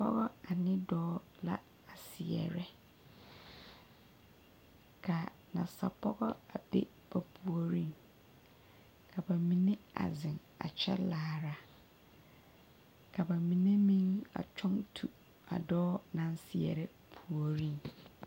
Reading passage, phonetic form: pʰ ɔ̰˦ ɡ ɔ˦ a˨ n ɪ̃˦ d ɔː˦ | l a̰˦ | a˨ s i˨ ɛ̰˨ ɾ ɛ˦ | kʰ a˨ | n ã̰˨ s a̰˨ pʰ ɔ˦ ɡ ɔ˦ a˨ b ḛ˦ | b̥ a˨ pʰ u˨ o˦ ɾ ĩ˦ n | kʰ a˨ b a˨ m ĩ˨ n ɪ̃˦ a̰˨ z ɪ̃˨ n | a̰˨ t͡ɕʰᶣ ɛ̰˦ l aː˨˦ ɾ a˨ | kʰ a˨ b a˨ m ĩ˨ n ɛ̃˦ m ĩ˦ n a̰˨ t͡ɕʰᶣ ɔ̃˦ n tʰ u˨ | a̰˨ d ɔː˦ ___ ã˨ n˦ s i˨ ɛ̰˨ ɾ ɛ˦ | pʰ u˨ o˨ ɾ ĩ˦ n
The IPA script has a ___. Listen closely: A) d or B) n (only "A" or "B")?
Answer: B